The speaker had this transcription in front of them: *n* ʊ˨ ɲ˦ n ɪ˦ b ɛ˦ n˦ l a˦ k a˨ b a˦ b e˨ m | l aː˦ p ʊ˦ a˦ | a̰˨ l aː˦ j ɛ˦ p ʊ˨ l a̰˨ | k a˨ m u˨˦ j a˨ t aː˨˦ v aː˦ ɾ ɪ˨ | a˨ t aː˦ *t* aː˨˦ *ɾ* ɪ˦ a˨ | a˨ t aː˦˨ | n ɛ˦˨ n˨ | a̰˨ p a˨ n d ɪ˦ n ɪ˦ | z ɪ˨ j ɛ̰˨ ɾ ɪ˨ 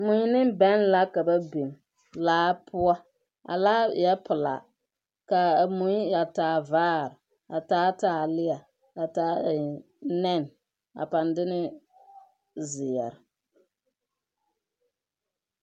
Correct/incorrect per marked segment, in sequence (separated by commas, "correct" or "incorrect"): incorrect, correct, incorrect